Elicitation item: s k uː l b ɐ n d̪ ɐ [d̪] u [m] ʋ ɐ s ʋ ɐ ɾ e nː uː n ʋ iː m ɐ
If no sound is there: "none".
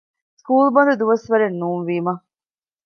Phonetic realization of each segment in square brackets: d̪, none

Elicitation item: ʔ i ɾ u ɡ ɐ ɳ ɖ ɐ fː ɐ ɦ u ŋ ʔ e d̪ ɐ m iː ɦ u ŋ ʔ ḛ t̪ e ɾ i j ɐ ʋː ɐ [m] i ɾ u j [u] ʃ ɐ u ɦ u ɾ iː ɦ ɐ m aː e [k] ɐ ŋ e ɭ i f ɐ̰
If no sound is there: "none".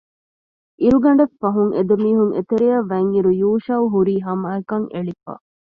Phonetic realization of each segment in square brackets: ŋ, uː, k

